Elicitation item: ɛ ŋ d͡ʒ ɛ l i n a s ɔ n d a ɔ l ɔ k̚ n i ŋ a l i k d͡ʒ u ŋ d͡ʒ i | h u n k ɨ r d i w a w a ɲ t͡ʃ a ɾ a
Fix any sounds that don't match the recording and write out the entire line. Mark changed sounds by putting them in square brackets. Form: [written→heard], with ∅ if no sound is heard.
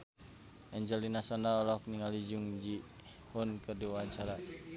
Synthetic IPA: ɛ [ŋ→ɲ] d͡ʒ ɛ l i n a s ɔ n d a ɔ l ɔ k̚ n i ŋ a l i [k→∅] d͡ʒ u ŋ d͡ʒ i | h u n k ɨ r d i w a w a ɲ t͡ʃ a ɾ a